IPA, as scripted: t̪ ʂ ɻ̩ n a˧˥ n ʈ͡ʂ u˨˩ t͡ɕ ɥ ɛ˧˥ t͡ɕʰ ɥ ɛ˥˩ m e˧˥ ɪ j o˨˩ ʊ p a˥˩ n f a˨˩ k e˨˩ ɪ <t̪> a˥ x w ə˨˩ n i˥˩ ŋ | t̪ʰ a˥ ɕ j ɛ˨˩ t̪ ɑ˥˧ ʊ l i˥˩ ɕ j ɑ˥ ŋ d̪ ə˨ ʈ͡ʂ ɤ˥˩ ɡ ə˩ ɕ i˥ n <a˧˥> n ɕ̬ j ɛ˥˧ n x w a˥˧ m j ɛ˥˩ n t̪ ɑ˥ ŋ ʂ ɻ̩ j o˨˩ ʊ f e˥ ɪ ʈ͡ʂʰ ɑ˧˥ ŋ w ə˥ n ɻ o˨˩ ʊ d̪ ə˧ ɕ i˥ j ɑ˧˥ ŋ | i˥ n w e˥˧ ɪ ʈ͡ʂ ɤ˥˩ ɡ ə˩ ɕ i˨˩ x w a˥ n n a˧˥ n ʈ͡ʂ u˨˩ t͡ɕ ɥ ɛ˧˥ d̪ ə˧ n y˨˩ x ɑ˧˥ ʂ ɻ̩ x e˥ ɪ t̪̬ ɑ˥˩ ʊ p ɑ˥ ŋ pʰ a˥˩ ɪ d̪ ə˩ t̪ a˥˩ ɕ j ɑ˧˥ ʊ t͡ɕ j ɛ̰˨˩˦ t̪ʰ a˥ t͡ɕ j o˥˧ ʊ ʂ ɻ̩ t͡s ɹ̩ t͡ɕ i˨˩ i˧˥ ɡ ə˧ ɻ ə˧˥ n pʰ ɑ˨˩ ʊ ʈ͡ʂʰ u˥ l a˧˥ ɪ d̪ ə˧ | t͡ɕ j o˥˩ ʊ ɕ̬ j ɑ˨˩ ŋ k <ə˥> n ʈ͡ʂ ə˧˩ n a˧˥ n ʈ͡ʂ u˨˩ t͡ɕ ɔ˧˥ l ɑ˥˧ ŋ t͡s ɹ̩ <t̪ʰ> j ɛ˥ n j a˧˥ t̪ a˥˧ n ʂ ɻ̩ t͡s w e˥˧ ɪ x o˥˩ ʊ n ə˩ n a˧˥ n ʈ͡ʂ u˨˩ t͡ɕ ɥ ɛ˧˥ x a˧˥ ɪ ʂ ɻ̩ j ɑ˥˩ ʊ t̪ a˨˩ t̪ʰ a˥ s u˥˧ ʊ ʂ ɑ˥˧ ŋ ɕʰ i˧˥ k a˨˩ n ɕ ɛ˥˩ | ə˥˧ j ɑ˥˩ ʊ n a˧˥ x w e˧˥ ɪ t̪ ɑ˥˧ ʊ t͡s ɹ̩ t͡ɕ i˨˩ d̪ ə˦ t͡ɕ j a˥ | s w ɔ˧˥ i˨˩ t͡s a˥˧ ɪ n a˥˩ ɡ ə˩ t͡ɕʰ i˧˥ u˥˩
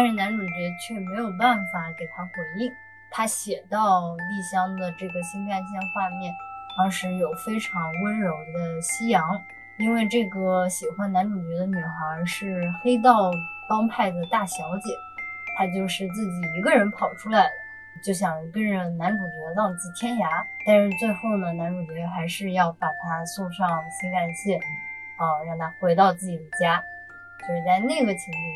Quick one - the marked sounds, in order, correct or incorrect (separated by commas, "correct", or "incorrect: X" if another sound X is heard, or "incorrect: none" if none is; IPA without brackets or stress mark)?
incorrect: t̪ʰ, incorrect: a˥˧, correct, correct